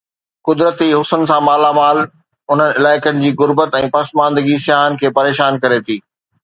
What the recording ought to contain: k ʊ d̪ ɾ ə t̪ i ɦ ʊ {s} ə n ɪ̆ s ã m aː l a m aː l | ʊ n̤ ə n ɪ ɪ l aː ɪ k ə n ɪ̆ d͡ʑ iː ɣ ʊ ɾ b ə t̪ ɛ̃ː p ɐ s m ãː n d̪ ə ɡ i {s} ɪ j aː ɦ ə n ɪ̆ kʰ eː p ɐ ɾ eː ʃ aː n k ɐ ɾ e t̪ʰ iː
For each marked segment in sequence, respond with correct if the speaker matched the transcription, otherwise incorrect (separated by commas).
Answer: correct, correct